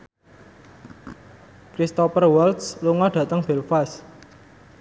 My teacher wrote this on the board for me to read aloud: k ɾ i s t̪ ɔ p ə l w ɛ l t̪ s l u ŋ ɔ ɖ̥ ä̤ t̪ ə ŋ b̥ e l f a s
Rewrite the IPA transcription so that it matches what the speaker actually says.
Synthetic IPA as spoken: k ɾ i s t̪ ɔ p ə r w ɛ l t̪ s l u ŋ ɔ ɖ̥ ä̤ t̪ ə ŋ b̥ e l f a s